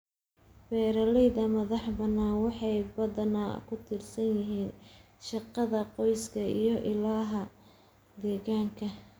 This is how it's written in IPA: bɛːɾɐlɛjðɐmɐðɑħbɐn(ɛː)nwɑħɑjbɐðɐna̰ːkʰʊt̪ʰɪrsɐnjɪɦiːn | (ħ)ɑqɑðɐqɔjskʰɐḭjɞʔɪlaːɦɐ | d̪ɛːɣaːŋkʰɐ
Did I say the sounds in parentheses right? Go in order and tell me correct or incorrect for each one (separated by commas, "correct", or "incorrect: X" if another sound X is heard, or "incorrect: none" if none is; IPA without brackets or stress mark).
incorrect: aː, incorrect: ʃ